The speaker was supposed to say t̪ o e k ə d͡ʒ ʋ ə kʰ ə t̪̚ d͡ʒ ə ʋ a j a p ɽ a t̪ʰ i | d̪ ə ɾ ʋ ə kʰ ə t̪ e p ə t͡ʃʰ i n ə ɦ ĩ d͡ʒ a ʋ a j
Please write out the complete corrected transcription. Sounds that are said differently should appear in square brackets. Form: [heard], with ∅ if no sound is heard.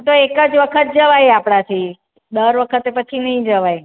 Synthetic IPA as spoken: t̪ o e k ə d͡ʒ ʋ ə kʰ ə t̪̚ d͡ʒ ə ʋ a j a p ɽ a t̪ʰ i | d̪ ə ɾ ʋ ə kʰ ə t̪ e p ə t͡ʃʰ i n ə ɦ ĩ d͡ʒ [ə] ʋ a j